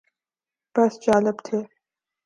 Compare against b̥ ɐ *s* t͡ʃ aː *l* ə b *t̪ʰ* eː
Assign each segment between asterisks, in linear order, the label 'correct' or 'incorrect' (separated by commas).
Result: correct, correct, correct